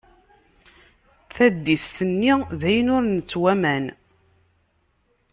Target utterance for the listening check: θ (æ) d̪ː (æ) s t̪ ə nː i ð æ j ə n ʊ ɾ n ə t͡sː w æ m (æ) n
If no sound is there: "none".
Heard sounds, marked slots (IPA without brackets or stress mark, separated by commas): æ, i, æ